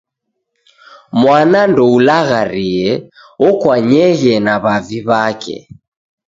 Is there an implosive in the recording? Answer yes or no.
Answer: no